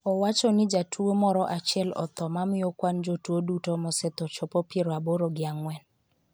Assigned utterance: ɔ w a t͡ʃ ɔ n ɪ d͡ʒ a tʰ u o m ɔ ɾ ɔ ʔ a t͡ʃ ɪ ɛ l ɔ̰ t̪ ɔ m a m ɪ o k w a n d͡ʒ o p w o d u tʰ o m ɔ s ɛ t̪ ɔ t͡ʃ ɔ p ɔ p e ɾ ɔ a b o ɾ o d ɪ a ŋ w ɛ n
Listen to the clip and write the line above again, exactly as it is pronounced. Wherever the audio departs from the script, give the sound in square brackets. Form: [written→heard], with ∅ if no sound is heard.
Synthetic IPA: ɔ w a t͡ʃ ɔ n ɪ d͡ʒ a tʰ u o m ɔ ɾ ɔ ʔ a t͡ʃ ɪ ɛ l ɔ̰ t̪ ɔ m a m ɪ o k w a n d͡ʒ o [p→t] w o d u [tʰ→t] o m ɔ s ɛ t̪ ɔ t͡ʃ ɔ p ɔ p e ɾ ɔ a b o ɾ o [d→ɡ] ɪ a ŋ w ɛ n